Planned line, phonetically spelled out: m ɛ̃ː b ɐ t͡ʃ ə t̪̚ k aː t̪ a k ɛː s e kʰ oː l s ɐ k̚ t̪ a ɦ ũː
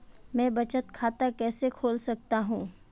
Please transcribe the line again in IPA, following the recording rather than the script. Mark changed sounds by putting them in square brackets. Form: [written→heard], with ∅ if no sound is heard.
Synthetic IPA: m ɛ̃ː b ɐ t͡ʃ ə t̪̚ [k→kʰ] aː t̪ a k ɛː s e kʰ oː l s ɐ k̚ t̪ a ɦ ũː